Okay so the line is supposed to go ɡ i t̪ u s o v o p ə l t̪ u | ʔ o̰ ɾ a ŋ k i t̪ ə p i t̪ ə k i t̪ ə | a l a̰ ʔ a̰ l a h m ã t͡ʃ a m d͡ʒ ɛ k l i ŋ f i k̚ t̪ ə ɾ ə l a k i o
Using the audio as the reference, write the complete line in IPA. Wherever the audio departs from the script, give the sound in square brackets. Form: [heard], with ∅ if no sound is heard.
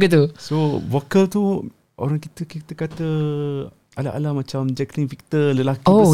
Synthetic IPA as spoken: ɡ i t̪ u s o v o [k] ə l t̪ u | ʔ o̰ ɾ a ŋ k i t̪ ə [k] i t̪ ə k [a] t̪ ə | a l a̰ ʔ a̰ l a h m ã t͡ʃ a m d͡ʒ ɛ k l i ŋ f i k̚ t̪ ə [l] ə l a k i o